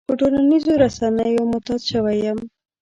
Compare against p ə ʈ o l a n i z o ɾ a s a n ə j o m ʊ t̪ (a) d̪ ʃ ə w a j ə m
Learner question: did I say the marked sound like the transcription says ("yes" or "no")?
no